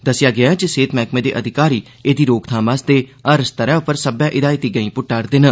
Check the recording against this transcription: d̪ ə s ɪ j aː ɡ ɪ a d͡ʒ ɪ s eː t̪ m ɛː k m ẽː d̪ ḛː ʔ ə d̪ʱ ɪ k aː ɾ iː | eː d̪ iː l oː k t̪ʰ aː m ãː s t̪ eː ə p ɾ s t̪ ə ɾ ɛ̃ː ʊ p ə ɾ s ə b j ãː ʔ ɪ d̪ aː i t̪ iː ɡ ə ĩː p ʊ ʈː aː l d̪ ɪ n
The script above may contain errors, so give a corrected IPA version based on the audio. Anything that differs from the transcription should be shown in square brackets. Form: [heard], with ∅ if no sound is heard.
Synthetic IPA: d̪ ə s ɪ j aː ɡ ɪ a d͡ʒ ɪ s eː t̪ m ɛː k m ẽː d̪ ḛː ʔ ə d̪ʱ ɪ k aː ɾ iː | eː d̪ iː [ɾ] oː k t̪ʰ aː m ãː s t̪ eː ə [∅] ɾ s t̪ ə ɾ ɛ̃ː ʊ p ə ɾ s ə b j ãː ʔ ɪ d̪ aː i t̪ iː ɡ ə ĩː p ʊ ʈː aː [ɾ] d̪ ɪ n